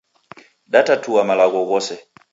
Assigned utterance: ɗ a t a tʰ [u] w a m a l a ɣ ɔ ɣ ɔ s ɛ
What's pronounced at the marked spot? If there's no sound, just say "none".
u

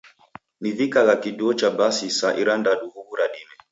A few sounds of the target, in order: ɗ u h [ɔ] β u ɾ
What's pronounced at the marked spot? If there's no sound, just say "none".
u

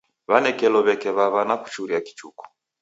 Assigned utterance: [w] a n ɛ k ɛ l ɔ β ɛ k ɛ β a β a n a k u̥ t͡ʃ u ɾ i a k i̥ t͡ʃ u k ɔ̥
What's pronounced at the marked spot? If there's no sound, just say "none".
β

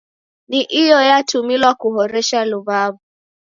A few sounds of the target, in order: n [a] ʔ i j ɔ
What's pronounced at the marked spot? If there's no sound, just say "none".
i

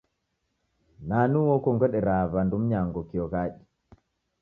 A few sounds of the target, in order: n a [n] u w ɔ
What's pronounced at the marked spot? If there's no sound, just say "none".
n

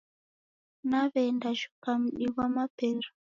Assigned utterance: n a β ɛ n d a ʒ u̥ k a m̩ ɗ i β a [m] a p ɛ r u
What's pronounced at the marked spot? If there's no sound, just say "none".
m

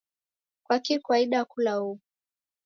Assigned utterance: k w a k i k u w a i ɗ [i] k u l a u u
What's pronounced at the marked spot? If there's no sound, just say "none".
a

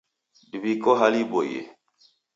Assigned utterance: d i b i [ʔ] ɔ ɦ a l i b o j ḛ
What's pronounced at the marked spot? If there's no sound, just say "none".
k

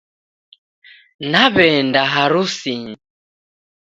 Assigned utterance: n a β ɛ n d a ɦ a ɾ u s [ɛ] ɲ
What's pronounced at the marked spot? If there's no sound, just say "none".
i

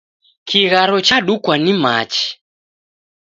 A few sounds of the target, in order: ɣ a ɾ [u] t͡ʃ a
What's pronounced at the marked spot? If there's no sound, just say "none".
ɔ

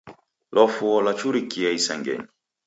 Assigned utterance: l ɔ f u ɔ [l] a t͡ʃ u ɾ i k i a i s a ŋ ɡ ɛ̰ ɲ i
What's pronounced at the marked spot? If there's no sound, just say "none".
l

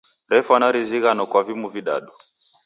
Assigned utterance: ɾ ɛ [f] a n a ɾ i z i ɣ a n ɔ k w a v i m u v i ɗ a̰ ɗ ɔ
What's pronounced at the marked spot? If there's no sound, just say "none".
f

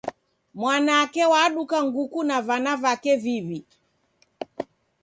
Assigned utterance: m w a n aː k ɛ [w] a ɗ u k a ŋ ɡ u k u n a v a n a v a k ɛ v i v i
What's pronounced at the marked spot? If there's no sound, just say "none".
w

